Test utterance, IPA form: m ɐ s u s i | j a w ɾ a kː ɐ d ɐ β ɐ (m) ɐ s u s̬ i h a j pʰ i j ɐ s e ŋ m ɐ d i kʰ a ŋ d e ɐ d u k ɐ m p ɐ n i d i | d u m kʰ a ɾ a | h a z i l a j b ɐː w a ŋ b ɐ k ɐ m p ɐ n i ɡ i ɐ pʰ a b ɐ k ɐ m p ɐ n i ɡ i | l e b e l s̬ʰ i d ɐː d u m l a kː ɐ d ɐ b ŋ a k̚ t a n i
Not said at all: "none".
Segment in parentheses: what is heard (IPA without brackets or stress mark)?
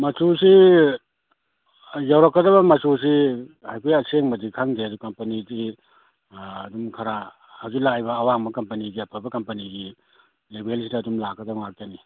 m